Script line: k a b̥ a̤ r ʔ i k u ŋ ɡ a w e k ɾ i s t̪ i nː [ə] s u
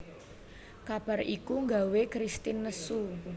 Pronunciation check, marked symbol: correct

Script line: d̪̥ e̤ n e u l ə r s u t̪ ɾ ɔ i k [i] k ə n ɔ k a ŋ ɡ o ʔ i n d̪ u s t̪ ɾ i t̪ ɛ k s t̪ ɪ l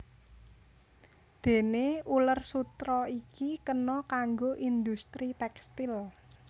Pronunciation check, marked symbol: correct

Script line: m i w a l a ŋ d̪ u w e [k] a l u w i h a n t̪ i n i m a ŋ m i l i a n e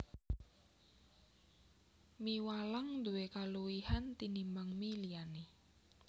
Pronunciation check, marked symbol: correct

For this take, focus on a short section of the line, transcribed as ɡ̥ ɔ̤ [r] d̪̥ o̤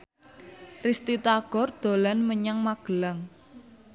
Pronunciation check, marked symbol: correct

